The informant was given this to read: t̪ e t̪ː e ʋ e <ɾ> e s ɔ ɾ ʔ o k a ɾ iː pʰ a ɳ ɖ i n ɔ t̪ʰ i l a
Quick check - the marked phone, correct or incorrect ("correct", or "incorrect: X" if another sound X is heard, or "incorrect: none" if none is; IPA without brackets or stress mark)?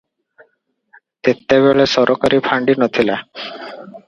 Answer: incorrect: ɭ